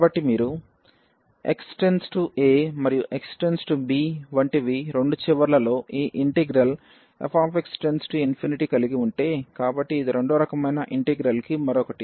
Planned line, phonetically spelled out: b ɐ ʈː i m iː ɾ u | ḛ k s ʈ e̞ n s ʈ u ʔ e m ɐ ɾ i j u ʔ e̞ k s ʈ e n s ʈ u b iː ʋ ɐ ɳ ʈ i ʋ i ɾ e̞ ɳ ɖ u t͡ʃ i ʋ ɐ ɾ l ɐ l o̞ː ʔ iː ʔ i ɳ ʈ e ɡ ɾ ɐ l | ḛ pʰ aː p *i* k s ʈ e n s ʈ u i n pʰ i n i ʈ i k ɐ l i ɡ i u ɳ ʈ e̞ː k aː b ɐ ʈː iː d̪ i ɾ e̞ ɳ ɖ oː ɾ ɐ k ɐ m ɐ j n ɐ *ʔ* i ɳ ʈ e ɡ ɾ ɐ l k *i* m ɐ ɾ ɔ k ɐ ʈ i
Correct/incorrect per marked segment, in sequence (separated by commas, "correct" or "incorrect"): incorrect, correct, correct